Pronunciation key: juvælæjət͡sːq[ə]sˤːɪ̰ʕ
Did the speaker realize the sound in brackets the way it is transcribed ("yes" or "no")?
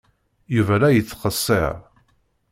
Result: yes